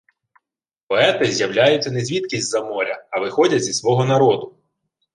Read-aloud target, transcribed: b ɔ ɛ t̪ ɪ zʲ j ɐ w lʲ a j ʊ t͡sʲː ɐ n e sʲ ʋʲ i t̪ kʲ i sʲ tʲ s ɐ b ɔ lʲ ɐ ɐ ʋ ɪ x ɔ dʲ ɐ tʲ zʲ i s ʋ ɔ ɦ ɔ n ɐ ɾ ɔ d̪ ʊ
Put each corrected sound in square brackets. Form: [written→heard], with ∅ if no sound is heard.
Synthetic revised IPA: [b→p] ɔ ɛ t̪ ɪ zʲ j ɐ w lʲ a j ʊ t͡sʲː ɐ n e [sʲ→zʲ] ʋʲ i t̪ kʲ i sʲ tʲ [s→z] ɐ [b→m] ɔ [lʲ→ɾʲ] ɐ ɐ ʋ ɪ x ɔ dʲ ɐ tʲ zʲ i s ʋ ɔ ɦ ɔ n ɐ ɾ ɔ d̪ ʊ